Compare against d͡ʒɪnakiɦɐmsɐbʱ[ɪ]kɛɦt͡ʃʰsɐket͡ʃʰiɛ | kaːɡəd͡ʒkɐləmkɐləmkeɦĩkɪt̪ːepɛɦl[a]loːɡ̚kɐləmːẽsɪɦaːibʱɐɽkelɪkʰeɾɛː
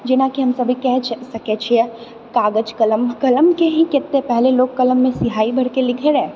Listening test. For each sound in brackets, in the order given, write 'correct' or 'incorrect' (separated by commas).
incorrect, incorrect